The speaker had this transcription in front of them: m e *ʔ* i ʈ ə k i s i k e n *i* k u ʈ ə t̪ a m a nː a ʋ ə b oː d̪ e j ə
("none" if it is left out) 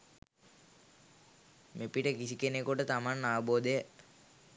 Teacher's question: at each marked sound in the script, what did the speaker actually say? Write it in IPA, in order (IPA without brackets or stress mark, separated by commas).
p, e